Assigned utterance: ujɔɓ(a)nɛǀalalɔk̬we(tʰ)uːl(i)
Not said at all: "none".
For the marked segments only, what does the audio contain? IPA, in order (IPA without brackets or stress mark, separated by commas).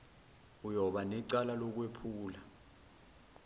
a, pʰ, a